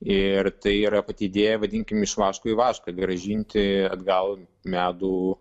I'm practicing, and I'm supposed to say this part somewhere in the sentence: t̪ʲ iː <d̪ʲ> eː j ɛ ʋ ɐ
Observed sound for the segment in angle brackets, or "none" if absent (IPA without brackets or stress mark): d̪ʲ